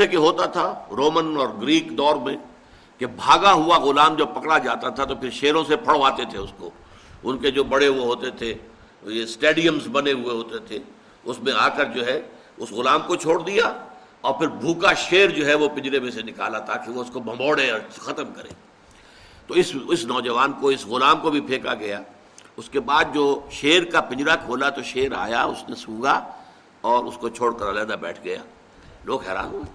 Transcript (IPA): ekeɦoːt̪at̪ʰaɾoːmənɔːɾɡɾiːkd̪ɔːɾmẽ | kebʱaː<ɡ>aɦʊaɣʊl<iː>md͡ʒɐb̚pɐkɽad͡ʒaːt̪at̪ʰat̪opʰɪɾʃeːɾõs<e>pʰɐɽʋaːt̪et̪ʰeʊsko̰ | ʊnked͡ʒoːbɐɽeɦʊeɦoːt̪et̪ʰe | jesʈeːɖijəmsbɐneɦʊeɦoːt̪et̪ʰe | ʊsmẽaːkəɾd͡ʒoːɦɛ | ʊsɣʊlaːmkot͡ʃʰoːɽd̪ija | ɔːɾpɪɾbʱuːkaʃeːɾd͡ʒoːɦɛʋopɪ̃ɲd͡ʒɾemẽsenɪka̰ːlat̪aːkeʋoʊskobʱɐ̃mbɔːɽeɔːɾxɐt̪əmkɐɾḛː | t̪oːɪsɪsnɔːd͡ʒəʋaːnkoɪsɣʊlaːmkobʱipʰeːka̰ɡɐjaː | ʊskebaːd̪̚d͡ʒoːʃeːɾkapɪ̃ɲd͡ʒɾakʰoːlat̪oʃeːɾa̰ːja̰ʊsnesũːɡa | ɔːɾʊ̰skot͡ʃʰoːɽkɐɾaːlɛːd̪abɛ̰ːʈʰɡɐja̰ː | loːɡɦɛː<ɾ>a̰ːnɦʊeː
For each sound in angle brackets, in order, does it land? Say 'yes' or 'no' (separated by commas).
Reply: yes, no, yes, yes